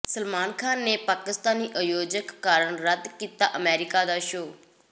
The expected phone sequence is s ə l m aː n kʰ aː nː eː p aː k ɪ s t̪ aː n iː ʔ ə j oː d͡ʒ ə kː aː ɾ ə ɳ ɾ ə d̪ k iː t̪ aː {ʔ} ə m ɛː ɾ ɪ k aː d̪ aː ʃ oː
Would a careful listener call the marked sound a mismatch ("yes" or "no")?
no